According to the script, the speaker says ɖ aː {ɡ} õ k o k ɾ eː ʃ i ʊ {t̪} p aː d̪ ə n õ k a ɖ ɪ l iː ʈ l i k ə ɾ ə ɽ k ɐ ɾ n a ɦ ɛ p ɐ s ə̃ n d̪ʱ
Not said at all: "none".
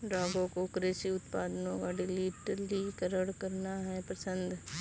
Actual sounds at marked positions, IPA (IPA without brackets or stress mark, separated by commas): ɡ, t̪